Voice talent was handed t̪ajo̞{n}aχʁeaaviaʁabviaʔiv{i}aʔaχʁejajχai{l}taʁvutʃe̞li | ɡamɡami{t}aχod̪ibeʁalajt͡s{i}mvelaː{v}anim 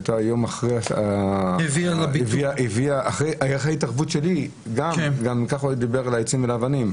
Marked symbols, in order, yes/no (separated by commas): no, yes, no, no, yes, yes